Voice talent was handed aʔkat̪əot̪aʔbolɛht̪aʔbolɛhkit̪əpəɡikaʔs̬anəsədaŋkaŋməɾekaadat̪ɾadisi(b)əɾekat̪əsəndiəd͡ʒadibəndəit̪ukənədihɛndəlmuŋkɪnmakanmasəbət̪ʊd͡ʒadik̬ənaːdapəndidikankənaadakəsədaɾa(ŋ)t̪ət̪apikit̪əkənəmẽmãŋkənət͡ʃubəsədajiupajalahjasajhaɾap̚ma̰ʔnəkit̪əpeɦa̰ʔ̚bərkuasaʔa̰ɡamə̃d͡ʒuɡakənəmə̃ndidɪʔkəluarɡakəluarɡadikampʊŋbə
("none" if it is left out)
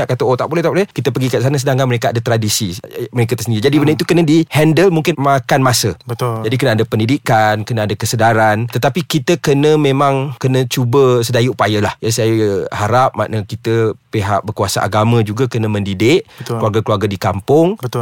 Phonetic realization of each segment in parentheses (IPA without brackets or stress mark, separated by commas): m, n